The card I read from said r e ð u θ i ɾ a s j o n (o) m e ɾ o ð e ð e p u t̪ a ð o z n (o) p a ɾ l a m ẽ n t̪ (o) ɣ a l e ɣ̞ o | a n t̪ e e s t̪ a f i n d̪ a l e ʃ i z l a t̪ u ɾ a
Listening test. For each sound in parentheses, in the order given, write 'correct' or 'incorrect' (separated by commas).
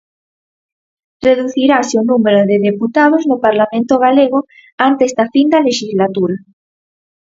incorrect, correct, correct